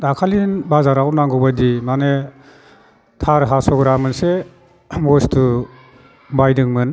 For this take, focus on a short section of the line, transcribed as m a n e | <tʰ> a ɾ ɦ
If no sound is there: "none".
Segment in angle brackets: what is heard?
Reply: tʰ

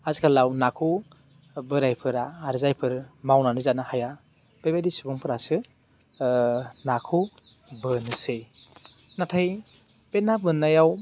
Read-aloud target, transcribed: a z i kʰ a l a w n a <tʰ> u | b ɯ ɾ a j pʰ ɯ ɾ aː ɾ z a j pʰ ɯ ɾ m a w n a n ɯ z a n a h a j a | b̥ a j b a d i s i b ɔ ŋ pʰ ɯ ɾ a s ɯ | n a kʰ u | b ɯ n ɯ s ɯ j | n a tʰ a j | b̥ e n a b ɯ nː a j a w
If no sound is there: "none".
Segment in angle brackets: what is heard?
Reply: kʰ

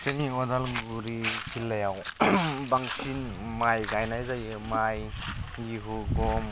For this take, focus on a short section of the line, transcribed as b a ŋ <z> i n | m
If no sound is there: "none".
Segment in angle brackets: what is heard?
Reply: s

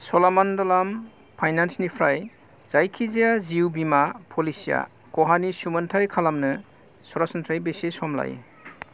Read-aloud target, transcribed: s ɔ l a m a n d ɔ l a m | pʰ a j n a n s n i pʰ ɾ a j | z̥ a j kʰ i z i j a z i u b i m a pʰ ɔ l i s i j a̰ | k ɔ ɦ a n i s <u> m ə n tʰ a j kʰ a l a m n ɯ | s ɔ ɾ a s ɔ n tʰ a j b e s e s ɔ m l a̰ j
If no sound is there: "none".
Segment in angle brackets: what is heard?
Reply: u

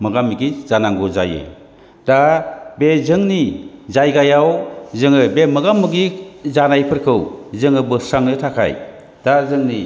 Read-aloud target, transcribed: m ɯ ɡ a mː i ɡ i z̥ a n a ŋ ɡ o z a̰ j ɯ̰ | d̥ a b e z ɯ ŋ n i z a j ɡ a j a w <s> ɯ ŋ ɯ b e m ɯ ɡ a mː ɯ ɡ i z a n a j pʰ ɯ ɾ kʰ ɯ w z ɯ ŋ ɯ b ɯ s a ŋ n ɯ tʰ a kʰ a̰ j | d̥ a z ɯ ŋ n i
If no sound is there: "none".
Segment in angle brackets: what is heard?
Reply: z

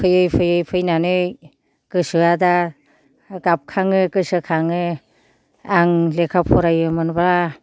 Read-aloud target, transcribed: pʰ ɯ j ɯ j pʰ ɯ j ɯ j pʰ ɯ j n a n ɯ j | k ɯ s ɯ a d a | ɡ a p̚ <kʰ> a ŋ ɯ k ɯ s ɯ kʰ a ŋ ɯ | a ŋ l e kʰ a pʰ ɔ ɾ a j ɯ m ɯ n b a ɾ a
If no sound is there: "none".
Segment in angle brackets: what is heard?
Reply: kʰ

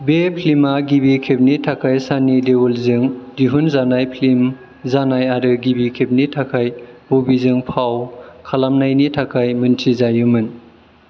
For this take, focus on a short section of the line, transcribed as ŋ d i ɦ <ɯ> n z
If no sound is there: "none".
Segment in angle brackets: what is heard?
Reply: u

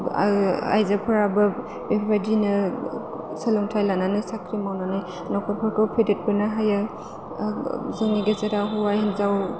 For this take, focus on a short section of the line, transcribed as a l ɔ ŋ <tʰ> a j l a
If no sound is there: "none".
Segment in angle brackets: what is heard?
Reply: tʰ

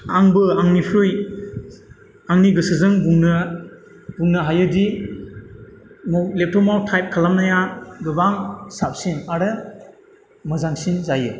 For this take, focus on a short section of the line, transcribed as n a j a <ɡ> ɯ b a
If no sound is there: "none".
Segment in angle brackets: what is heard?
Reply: ɡ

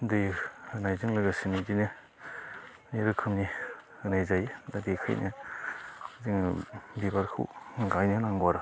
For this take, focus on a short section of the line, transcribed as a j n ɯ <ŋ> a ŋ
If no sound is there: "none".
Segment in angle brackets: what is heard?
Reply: n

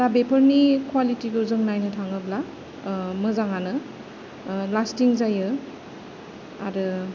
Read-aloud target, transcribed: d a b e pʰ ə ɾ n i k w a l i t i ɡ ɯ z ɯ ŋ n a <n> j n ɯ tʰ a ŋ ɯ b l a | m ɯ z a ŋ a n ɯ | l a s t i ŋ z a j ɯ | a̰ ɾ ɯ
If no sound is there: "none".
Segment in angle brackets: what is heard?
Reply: none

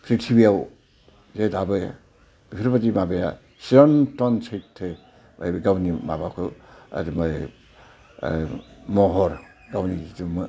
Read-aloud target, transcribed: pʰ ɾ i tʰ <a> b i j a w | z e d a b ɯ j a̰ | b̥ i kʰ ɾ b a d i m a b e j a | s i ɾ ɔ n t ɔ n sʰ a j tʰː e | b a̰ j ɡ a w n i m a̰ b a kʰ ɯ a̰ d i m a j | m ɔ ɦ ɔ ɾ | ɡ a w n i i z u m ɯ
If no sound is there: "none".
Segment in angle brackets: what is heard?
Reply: i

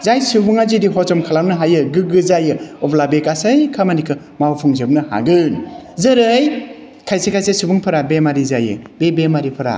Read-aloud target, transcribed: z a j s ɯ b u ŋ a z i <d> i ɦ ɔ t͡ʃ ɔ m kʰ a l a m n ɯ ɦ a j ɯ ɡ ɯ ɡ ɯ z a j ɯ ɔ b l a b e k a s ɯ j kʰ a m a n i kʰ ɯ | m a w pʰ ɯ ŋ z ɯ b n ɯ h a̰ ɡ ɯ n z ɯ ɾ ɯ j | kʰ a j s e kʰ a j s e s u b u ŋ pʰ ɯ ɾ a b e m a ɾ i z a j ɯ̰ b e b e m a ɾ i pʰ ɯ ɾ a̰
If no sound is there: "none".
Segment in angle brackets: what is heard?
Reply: d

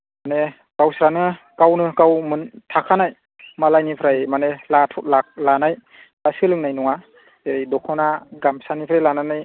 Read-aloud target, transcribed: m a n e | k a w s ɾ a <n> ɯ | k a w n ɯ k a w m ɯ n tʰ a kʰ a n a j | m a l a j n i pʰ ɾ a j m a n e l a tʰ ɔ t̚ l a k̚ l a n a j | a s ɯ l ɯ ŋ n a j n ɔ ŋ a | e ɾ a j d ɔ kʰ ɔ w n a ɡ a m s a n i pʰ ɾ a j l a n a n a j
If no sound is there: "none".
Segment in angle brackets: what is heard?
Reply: n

